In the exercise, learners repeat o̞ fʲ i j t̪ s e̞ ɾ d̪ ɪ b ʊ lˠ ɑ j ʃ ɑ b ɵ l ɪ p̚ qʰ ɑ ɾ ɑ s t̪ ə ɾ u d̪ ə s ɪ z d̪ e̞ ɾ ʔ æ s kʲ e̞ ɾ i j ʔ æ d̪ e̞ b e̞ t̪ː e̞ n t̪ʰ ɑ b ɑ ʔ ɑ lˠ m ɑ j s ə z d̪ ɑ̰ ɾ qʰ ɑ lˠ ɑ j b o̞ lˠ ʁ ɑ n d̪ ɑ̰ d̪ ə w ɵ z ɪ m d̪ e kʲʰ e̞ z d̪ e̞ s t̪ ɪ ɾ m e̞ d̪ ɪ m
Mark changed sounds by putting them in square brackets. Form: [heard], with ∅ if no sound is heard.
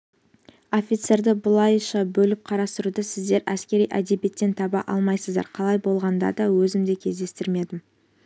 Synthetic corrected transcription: o̞ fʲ i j t̪ s e̞ ɾ d̪ ɪ b ʊ lˠ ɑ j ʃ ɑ b ɵ l ɪ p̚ qʰ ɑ ɾ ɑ s t̪ ə ɾ u d̪ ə s ɪ z d̪ e̞ ɾ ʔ æ s kʲ e̞ ɾ i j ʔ æ d̪ e̞ b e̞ t̪ː e̞ n t̪ʰ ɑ b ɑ ʔ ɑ lˠ m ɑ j s ə z d̪ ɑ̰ ɾ qʰ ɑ lˠ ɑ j b o̞ lˠ ʁ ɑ n d̪ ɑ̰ d̪ [ɑ] w ɵ z ɪ m d̪ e kʲʰ e̞ z d̪ e̞ s t̪ ɪ ɾ m e̞ d̪ ɪ m